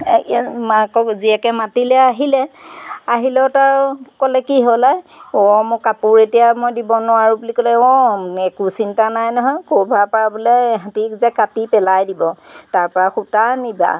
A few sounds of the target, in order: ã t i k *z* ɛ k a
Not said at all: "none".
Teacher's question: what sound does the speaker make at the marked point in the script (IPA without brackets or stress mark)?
z